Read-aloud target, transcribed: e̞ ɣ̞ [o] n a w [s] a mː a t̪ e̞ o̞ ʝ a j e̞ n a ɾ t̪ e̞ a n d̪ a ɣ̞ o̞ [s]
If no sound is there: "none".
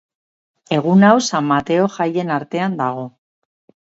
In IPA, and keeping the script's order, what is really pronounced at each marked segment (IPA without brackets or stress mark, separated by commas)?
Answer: u, s, none